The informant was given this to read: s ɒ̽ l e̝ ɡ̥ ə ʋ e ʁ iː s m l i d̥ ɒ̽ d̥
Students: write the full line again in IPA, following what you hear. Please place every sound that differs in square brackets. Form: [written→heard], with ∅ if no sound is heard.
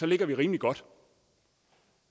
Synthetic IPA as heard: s ɒ̽ l e̝ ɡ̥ [ə→ɐ] ʋ [e→i] ʁ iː [s→∅] m l i [d̥→ɡ̥] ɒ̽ d̥